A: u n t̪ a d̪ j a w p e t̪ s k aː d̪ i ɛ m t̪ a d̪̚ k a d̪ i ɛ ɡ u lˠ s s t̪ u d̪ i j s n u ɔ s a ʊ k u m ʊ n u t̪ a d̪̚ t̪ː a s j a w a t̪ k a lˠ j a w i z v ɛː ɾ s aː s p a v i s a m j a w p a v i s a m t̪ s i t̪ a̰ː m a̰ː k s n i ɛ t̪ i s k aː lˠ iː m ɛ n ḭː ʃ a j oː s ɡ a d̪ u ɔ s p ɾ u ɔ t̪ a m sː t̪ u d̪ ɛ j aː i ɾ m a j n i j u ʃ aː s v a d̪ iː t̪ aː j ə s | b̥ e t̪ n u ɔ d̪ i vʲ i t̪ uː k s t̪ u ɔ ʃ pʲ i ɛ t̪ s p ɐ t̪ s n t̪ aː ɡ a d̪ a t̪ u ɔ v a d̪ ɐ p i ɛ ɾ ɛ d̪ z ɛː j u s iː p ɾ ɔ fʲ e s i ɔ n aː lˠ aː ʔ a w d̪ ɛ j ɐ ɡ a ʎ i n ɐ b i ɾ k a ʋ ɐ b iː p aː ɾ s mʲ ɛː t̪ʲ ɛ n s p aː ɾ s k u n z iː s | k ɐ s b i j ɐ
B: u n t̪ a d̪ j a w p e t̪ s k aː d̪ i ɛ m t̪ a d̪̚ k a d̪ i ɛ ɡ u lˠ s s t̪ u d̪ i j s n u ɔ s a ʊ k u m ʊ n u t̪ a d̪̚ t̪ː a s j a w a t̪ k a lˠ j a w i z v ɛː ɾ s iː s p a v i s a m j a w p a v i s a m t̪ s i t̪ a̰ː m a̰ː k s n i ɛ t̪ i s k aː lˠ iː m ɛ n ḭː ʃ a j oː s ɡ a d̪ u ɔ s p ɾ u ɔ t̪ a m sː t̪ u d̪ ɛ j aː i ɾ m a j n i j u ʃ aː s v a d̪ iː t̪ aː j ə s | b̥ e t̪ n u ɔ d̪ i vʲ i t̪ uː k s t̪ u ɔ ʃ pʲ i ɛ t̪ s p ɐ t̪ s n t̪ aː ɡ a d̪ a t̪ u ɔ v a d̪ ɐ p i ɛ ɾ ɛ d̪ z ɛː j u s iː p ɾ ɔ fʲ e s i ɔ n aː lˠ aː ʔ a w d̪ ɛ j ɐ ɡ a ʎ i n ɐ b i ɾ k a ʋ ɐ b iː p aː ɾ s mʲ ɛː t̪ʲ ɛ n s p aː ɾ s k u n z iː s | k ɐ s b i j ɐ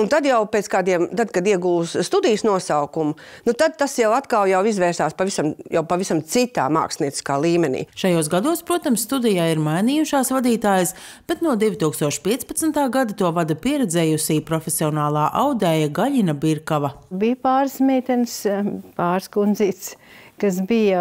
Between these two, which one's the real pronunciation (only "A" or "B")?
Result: A